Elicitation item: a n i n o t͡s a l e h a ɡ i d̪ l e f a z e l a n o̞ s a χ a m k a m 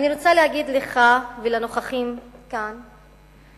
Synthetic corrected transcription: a n i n o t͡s a l e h a ɡ i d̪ l e χ a v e l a n o̞ χ a χ i m k a n